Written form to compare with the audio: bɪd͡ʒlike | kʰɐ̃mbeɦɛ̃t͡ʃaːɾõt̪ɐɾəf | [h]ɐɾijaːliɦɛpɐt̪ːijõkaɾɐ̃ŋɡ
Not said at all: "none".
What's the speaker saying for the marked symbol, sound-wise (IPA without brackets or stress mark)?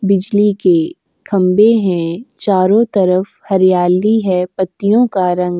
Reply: h